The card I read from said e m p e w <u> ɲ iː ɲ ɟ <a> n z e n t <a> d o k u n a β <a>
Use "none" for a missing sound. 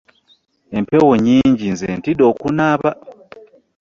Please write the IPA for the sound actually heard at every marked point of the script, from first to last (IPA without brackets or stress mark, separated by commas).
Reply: o, i, i, a